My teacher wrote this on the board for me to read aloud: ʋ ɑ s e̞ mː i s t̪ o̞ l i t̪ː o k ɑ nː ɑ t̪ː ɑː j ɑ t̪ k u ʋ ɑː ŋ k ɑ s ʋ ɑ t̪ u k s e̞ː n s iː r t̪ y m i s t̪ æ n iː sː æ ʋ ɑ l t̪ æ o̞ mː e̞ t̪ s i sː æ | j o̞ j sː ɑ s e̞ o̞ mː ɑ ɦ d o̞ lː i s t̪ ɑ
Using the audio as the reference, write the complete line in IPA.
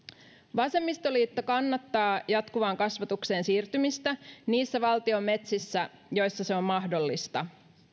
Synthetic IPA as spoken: ʋ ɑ s e̞ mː i s t̪ o̞ l iː t̪ː o k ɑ nː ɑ t̪ː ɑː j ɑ t̪ k u ʋ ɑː ŋ k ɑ s ʋ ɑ t̪ u k s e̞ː n s iː r t̪ y m i s t̪ æ n iː sː æ ʋ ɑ l t̪ i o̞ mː e̞ t̪ s i sː æ | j o̞ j sː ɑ s e̞ o̞ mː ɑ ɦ d o̞ lː i s t̪ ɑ

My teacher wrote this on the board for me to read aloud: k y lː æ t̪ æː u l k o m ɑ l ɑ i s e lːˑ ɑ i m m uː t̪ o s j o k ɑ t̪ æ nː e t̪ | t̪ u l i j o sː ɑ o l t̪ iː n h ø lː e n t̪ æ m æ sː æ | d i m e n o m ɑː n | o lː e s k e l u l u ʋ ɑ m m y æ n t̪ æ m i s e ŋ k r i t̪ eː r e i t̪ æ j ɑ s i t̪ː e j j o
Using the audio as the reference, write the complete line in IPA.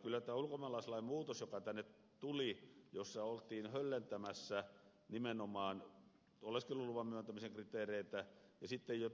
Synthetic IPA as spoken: k y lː æ t̪ æː u l k o m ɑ l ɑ i s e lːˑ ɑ i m m uː t̪ o s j o k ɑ t̪ æ nː e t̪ | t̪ u l i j o sː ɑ o l t̪ iː n h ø lː e n t̪ æ m æ sː æ | n i m e n o m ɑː n | o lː e s k e l u l u ʋ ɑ m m y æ n t̪ æ m i s e ŋ k r i t̪ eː r e i t̪ æ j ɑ s i t̪ː e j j o

